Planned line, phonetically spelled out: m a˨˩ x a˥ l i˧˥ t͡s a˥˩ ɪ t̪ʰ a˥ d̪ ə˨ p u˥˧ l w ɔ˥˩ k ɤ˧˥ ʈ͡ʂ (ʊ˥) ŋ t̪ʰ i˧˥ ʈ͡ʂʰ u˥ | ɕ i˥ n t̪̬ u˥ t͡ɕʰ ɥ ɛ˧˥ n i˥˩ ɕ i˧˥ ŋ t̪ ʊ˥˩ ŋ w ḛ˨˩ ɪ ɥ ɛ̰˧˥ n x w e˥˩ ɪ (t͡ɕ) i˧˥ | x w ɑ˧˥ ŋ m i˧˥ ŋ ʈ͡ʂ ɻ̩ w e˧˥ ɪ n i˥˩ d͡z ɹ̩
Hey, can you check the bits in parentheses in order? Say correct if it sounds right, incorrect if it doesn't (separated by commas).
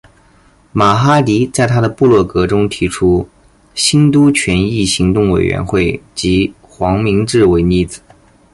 correct, correct